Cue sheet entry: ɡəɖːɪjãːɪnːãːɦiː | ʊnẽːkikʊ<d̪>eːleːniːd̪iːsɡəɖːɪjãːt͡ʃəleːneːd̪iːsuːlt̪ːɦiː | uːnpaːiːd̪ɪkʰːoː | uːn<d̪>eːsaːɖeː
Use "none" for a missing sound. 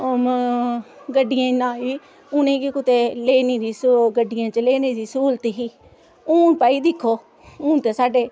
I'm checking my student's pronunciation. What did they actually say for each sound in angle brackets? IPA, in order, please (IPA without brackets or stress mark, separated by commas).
t̪, t̪